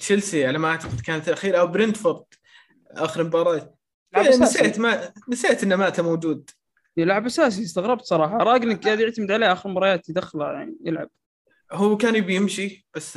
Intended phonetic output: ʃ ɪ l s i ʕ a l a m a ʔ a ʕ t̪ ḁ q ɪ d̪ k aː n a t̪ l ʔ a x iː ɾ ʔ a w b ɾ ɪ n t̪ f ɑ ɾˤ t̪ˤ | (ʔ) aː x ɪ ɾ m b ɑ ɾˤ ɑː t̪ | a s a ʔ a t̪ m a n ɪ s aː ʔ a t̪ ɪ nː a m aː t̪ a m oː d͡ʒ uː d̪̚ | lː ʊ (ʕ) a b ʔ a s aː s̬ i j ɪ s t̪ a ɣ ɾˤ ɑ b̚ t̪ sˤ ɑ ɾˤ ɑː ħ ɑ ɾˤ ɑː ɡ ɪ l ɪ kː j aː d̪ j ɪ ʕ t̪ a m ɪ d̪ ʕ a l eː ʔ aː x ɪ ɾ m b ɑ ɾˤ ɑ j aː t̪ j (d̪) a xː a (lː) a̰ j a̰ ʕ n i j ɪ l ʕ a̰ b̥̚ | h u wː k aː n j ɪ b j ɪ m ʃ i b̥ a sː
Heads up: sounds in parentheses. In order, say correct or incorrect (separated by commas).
correct, correct, correct, incorrect